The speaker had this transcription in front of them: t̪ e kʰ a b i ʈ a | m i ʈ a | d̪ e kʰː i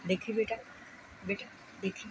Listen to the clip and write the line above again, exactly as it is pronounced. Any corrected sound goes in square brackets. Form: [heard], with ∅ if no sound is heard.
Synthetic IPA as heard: [d̪] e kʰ [i] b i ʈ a | [b] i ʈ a | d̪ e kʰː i